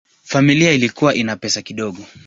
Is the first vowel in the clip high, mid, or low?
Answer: low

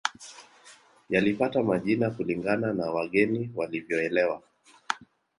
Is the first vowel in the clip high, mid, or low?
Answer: low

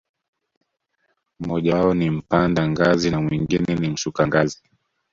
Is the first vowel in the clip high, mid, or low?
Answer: mid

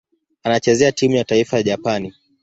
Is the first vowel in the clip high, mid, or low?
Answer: low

